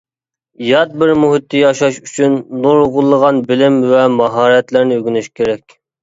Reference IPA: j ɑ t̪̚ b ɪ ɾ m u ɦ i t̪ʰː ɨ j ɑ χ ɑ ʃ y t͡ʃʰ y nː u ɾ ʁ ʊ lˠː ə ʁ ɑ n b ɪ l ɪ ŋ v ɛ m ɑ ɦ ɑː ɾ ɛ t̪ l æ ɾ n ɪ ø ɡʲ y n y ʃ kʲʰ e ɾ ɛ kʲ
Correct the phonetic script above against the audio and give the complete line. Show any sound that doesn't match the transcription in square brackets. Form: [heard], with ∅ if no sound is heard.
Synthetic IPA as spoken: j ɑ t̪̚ b ɪ ɾ m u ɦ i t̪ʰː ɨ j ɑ [ʃ] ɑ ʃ y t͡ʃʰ y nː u ɾ ʁ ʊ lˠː ə ʁ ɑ n b ɪ l ɪ [m] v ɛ m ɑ ɦ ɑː ɾ ɛ t̪ l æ ɾ n ɪ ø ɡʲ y n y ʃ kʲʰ e ɾ ɛ kʲ